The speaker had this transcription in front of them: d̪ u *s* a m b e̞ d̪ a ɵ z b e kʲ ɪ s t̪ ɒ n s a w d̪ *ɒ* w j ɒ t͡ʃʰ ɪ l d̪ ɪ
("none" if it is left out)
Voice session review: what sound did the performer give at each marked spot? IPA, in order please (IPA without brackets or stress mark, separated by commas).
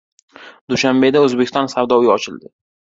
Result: ʃ, ɒ